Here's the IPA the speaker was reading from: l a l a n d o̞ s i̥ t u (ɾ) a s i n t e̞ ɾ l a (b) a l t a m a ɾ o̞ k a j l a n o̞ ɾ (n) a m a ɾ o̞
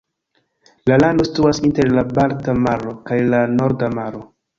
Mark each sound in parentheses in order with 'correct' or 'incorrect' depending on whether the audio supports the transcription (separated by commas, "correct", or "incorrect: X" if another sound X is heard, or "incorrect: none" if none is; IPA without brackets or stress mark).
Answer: incorrect: none, correct, incorrect: d